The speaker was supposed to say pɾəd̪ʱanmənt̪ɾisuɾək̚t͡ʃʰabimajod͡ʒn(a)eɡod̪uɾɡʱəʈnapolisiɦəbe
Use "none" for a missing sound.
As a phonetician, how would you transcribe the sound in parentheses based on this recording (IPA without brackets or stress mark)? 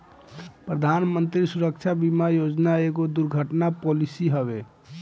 a